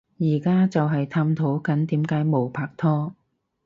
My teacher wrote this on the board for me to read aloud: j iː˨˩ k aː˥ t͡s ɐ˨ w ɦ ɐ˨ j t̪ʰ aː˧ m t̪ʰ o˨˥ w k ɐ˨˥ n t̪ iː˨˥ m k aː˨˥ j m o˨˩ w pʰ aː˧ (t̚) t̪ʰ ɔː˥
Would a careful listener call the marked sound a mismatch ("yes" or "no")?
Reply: yes